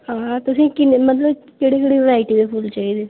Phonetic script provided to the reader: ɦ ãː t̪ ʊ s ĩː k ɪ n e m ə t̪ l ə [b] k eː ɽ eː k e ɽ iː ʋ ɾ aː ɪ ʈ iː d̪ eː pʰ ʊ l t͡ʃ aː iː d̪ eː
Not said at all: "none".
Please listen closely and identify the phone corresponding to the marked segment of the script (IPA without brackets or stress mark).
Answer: b